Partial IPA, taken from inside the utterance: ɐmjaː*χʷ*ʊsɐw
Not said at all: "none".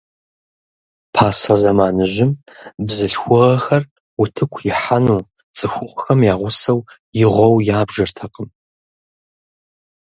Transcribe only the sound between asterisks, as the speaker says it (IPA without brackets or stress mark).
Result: ʁʷ